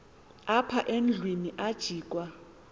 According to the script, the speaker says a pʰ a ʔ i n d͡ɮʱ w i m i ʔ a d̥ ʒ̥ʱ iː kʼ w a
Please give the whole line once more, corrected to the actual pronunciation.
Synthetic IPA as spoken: a pʰ a ʔ e n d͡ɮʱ w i n i ʔ a d̥ ʒ̥ʱ iː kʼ w a